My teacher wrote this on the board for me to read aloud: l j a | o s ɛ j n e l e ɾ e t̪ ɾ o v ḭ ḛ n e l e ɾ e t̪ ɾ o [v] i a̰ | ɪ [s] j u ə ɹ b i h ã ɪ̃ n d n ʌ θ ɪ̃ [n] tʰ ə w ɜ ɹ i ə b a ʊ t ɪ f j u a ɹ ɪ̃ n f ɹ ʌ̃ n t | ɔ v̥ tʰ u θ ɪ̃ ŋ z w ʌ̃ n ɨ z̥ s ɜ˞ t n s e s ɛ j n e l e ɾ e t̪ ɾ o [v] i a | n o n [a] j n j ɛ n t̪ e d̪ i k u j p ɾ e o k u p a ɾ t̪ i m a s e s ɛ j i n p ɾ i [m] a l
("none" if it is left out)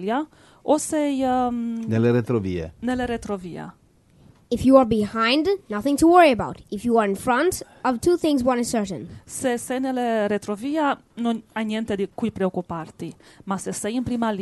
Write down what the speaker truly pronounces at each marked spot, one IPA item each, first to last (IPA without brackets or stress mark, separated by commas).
v, f, ŋ, v, a, m